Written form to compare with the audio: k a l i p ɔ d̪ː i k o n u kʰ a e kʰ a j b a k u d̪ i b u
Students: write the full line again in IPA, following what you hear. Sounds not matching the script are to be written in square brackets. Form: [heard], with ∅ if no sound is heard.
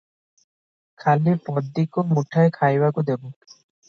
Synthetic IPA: [kʰ] a l i p ɔ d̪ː i k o [m] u [ʈʰ] a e kʰ a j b a k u d̪ [e] b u